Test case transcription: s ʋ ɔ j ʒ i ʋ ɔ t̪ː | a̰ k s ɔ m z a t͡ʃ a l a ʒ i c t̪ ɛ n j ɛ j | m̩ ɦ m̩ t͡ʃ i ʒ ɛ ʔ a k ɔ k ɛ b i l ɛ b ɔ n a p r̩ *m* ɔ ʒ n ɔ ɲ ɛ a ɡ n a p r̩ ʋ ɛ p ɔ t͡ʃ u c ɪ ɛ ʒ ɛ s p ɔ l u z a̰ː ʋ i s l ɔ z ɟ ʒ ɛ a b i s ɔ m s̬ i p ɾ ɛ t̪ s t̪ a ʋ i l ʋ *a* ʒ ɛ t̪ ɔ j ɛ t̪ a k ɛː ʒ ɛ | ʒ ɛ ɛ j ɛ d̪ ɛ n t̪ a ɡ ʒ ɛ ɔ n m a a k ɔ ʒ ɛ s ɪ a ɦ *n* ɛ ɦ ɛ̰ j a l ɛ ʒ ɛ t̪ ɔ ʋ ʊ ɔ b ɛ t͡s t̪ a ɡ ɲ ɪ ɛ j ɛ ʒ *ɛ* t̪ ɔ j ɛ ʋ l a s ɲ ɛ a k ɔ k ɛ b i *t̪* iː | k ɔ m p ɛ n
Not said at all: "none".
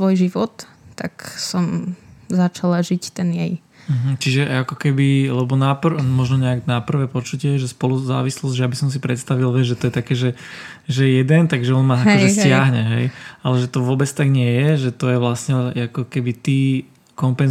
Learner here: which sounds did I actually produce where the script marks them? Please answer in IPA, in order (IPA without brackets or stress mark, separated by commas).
m, ɛ, ɲ, ɛ, t̪